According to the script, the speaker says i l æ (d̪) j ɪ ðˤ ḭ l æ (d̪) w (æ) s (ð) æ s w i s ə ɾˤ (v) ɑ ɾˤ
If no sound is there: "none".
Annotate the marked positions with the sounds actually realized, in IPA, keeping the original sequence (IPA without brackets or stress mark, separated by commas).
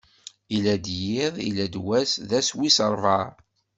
d̪, d̪, æ, ð, v